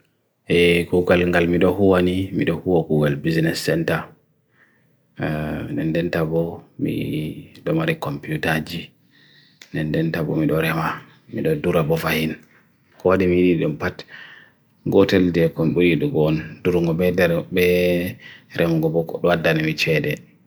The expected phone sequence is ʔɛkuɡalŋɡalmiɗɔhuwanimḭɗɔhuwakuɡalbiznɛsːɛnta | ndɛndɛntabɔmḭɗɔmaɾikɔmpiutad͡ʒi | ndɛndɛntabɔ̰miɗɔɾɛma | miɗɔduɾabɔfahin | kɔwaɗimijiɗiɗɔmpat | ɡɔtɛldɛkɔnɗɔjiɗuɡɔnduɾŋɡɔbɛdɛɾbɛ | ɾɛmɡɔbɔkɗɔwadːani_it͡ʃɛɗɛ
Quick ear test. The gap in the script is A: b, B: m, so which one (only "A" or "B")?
B